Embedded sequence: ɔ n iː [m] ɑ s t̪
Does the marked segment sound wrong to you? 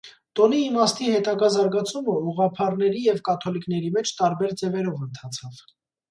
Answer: no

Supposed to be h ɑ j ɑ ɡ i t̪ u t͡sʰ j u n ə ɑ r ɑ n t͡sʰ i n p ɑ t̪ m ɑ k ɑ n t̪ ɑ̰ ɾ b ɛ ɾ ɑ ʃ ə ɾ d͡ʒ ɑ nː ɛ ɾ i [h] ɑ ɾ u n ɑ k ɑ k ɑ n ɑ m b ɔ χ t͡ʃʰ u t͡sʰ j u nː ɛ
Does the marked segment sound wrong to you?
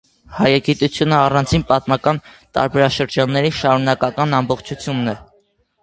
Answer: yes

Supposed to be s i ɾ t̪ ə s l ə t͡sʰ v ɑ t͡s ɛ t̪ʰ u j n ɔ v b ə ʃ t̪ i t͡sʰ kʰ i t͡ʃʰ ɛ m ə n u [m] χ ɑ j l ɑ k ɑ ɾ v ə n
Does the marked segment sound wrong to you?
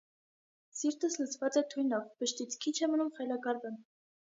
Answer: no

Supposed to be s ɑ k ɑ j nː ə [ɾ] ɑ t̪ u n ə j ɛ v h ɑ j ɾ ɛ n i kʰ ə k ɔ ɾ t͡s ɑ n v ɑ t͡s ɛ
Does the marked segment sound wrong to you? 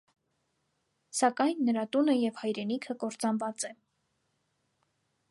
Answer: no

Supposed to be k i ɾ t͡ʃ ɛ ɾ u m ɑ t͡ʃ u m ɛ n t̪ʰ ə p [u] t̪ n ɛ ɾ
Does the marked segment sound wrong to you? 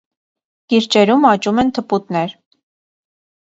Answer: no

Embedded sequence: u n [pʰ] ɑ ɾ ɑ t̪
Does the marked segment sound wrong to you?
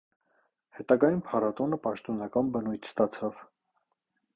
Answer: no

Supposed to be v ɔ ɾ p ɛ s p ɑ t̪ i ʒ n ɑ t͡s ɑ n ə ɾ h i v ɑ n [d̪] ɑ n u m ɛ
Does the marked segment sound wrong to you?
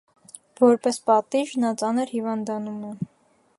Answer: no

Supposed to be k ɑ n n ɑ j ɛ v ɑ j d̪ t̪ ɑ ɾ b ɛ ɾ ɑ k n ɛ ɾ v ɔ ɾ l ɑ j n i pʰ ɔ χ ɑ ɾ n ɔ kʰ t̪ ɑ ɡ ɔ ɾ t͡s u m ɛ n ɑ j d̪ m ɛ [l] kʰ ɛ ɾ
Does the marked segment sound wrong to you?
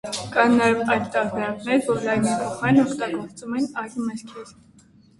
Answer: yes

